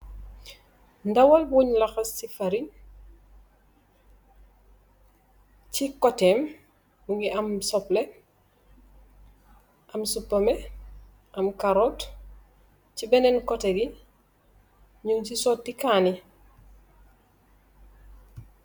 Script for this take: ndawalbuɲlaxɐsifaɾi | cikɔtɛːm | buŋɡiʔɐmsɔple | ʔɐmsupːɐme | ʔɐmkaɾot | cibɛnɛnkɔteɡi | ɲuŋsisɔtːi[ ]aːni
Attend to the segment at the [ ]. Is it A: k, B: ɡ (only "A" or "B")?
A